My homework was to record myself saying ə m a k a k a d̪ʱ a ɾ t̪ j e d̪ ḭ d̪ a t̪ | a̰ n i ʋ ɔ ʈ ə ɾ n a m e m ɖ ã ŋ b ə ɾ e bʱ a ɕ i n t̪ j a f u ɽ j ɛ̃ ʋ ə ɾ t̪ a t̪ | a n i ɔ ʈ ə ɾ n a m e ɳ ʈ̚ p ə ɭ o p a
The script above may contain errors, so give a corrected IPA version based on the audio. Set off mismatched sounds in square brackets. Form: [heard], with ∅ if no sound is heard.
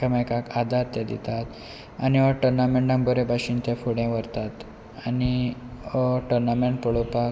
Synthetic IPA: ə m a k a k a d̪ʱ a ɾ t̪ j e d̪ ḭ [t̪] a t̪ | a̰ n i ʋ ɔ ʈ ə ɾ n a m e [ɳ] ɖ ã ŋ b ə ɾ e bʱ a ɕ i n t̪ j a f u ɽ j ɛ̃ ʋ ə ɾ t̪ a t̪ | a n i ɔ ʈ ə ɾ n a m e ɳ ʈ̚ p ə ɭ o p a